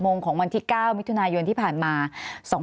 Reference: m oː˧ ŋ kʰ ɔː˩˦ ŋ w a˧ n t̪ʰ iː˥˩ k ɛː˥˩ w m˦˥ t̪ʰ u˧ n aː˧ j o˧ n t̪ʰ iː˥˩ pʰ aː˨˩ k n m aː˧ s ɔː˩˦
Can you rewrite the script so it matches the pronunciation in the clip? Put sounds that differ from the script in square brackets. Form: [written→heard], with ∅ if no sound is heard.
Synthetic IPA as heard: m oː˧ ŋ kʰ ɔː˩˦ ŋ w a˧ n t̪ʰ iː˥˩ k [ɛː˥˩→aː˥˩] w m˦˥ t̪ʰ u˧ n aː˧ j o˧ n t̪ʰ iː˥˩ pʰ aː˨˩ [k→∅] n m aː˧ s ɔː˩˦